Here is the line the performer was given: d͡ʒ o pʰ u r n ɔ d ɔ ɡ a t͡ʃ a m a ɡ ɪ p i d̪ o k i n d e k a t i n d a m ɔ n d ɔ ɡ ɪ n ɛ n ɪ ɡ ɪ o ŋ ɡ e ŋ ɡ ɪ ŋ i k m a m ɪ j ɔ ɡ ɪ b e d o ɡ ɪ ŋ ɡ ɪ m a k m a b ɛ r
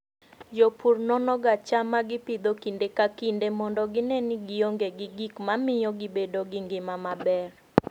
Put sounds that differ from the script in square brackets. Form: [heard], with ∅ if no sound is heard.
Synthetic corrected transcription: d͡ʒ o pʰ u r n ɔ [n] ɔ ɡ a t͡ʃ a m a ɡ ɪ p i d̪ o k i n d e k a [k] i n d [e] m ɔ n d ɔ ɡ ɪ n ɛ n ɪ ɡ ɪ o ŋ ɡ e [∅] ɡ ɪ [ɡ] i k m a m ɪ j ɔ ɡ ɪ b e d o ɡ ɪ ŋ ɡ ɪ m a [∅] m a b ɛ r